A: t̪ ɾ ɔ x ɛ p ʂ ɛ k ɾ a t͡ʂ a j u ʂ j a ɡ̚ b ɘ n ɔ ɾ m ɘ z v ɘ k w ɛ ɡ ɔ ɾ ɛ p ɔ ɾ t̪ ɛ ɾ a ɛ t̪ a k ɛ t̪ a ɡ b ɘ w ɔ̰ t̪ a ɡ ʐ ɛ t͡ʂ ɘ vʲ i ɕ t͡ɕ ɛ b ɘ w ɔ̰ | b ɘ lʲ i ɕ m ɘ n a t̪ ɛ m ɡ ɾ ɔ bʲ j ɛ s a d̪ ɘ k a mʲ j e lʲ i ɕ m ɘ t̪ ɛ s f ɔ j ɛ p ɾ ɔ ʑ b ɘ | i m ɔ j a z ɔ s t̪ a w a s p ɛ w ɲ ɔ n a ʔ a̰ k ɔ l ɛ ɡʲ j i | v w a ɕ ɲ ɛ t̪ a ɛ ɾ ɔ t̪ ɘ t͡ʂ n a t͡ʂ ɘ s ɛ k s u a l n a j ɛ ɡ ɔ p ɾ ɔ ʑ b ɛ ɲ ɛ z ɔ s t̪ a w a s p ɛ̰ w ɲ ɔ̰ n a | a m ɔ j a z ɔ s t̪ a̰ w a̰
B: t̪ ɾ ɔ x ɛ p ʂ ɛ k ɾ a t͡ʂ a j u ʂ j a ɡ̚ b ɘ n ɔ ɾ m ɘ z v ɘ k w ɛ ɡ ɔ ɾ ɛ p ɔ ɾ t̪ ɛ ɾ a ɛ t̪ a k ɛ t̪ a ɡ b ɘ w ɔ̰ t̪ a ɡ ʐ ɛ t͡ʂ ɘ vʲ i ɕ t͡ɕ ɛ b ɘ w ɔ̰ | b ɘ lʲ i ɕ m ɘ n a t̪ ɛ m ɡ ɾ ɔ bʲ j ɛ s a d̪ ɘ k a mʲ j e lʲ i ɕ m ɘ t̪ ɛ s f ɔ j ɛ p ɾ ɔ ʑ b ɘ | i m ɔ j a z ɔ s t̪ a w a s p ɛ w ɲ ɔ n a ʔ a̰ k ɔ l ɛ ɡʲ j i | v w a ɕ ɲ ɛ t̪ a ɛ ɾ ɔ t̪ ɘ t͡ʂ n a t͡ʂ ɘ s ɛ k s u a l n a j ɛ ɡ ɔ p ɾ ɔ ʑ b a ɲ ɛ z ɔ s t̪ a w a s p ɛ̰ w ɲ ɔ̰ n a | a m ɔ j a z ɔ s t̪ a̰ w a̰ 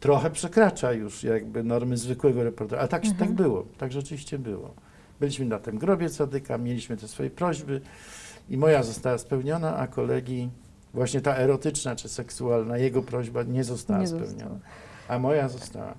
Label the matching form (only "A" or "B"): B